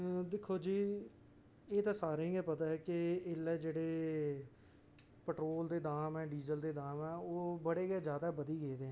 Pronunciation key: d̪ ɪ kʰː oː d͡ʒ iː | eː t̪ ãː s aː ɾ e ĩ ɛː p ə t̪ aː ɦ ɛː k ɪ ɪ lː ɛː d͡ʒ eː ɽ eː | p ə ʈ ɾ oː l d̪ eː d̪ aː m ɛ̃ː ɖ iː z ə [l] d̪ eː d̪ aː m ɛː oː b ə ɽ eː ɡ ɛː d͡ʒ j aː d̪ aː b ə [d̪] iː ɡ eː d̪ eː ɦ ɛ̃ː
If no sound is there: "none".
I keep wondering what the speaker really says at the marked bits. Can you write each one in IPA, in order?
l, d̪

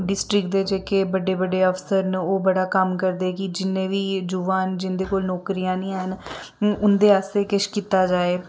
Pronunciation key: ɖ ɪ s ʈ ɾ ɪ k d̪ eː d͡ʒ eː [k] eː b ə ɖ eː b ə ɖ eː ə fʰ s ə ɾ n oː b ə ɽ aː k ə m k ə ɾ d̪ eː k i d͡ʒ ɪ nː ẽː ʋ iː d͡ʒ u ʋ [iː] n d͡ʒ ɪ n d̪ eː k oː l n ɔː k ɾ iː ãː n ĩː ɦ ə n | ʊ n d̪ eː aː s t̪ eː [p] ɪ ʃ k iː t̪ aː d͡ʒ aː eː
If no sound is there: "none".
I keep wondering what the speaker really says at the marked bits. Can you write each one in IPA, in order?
k, aː, k

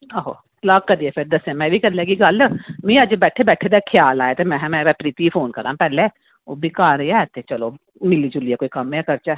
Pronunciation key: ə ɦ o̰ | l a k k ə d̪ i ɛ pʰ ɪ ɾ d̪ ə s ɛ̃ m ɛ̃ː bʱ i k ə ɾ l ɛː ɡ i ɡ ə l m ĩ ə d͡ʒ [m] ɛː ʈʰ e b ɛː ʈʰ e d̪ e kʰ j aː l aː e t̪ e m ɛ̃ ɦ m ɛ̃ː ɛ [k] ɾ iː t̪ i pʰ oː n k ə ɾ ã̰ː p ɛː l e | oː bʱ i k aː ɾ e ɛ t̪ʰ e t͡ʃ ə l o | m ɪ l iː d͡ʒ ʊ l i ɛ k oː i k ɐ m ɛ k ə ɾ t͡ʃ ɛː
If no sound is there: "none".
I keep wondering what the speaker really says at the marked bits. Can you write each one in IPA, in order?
b, p

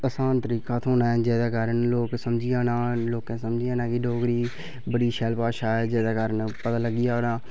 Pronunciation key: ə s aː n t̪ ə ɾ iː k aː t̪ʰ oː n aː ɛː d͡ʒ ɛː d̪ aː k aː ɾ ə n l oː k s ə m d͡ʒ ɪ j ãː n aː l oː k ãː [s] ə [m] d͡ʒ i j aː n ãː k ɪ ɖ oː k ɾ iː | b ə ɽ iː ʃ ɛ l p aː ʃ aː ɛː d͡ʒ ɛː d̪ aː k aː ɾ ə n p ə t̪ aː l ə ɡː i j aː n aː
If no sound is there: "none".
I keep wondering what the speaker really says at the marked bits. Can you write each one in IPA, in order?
s, m

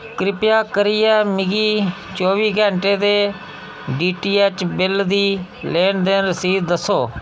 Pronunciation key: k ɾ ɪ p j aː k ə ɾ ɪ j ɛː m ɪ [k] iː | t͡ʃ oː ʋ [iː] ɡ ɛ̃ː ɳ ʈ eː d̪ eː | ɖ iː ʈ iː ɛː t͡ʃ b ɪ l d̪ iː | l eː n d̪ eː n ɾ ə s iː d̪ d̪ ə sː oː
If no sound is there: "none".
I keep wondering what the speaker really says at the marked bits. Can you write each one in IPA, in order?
ɡ, iː

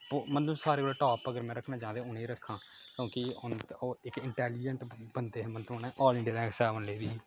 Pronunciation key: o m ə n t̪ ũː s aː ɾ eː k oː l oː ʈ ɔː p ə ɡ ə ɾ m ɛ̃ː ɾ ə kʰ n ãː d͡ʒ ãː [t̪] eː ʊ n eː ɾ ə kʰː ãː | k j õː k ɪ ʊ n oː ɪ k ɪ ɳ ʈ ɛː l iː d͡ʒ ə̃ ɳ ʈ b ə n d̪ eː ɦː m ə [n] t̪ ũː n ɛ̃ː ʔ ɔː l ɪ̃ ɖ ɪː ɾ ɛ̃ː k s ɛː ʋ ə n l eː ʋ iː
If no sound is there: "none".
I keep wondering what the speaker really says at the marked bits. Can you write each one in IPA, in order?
d̪, n

